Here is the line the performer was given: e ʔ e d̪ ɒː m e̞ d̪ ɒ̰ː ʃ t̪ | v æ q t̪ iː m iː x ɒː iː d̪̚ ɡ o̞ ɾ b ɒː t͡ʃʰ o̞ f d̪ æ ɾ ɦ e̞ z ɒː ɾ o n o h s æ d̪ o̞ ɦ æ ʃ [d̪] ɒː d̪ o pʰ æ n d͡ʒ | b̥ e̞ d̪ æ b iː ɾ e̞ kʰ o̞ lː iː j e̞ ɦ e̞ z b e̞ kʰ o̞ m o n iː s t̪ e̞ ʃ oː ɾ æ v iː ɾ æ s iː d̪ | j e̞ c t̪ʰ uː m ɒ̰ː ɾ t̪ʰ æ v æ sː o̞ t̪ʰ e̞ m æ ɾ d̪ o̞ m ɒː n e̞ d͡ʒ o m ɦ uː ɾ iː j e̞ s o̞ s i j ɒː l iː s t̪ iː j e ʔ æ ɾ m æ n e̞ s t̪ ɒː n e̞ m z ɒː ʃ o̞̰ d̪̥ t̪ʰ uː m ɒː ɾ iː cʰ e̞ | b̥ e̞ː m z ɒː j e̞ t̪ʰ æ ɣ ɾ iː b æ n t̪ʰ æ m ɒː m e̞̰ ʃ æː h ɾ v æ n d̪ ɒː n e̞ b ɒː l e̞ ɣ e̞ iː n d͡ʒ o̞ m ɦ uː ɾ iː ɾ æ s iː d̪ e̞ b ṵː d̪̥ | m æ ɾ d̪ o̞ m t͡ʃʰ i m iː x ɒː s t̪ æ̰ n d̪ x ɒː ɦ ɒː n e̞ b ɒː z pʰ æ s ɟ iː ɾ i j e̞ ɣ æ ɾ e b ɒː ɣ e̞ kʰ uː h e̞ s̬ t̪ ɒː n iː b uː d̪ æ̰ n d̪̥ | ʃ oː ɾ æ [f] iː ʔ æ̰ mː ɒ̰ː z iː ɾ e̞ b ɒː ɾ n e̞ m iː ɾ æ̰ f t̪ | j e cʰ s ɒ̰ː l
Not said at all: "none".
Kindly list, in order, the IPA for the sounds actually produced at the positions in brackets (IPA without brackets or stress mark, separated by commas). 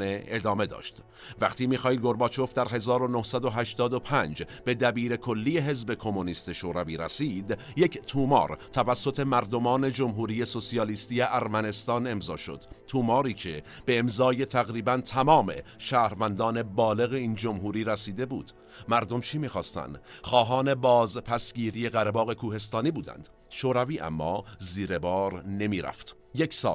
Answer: t̪, v